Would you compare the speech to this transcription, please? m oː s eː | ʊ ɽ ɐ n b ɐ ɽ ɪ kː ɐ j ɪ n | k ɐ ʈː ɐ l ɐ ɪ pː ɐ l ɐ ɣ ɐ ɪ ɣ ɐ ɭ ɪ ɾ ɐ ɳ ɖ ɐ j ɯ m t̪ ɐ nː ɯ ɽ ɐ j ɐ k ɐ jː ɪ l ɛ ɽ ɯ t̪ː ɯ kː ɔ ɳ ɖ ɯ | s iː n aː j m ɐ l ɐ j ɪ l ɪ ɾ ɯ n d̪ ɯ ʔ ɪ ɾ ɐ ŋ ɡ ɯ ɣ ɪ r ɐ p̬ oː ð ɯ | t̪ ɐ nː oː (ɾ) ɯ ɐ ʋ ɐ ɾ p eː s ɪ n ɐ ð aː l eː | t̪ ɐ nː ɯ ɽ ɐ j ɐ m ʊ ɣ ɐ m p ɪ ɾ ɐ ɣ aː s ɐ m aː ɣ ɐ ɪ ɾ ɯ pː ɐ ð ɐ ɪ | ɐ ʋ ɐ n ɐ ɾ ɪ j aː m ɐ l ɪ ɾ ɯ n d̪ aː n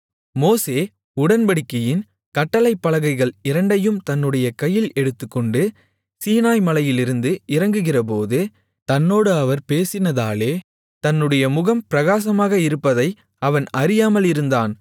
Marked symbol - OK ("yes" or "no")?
no